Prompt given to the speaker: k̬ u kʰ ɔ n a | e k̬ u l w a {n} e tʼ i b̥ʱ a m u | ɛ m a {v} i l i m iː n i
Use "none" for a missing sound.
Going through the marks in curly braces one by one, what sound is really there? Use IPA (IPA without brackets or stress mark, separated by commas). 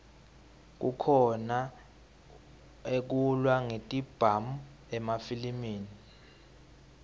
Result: ŋ, f